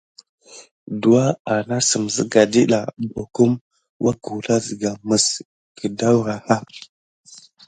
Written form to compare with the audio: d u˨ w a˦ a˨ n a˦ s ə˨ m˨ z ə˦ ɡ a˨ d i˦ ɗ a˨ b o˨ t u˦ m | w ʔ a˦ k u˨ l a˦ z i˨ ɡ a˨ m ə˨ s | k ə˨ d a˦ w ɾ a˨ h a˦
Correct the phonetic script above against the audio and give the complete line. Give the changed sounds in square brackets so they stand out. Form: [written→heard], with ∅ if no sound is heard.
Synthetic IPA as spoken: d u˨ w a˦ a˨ n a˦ s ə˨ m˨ z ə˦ ɡ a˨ d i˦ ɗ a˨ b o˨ [t→k] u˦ m | w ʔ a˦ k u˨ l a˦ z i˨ ɡ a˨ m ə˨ s | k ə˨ d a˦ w ɾ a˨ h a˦

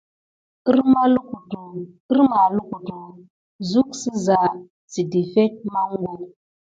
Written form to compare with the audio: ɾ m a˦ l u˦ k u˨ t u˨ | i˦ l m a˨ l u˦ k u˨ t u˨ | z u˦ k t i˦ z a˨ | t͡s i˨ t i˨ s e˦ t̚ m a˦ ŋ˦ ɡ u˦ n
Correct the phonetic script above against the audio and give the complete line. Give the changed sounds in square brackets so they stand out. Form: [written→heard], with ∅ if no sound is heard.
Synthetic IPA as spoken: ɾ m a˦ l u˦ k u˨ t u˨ | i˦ [l→ɾ] m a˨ l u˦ k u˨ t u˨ | z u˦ k [t→s] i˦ z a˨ | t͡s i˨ [t→d] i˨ [s→f] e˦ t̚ m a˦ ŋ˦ ɡ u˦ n

